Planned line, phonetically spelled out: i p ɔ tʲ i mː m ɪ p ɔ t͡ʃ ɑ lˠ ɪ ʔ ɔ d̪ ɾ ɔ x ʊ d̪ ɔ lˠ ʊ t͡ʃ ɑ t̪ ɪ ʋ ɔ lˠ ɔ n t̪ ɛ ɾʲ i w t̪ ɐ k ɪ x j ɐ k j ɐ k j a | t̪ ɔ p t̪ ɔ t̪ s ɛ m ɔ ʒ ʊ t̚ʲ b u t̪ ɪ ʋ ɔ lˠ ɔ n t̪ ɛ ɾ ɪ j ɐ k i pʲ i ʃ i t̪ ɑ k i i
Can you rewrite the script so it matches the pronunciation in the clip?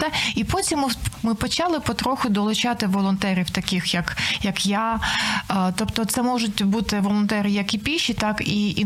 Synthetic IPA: i p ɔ tʲ i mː m ɪ p ɔ t͡ʃ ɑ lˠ ɪ p ɔ t̪ ɾ ɔ x ʊ d̪ ɔ lˠ ʊ t͡ʃ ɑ t̪ ɪ ʋ ɔ lˠ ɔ n t̪ ɛ ɾʲ i w t̪ ɐ k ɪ x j ɐ k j ɐ k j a | t̪ ɔ p t̪ ɔ t̪ s ɛ m ɔ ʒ ʊ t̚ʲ b u t̪ ɪ ʋ ɔ lˠ ɔ n t̪ ɛ ɾ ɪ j ɐ k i pʲ i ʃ i t̪ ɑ k i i